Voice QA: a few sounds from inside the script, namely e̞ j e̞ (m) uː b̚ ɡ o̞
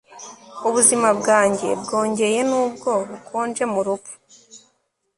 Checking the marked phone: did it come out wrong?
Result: yes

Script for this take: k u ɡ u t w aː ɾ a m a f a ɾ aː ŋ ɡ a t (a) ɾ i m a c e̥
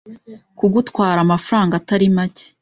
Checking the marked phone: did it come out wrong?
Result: no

